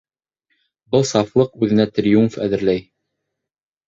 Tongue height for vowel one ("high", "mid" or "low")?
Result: mid